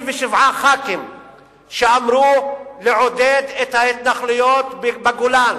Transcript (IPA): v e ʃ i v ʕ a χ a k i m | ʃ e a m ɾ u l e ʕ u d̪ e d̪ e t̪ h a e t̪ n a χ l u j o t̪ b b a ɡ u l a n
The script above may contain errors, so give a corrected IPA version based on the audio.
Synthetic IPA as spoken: v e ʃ i v ʕ a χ a k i m | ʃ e a m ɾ u l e ʕ o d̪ e d̪ e t̪ h a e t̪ n a χ l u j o t̪ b b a ɡ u l a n